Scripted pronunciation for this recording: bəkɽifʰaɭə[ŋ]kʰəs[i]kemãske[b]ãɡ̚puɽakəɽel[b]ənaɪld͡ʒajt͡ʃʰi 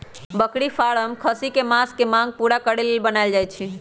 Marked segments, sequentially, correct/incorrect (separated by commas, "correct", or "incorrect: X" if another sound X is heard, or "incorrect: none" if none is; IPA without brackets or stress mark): incorrect: m, correct, incorrect: m, correct